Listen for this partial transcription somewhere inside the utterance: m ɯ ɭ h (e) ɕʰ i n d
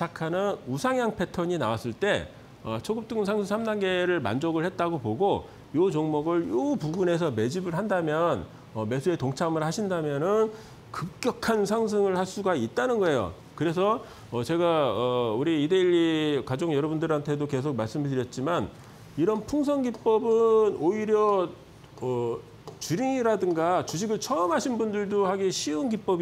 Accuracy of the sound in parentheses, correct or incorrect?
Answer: incorrect